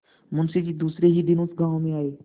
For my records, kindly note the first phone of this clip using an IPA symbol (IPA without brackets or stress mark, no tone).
m